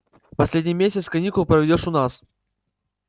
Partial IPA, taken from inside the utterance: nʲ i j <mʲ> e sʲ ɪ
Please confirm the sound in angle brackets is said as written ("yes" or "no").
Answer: yes